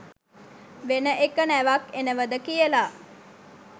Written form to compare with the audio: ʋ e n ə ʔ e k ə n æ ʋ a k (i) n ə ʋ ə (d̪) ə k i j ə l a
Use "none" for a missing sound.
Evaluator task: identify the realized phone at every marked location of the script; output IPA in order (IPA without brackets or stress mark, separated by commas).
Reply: e, d̪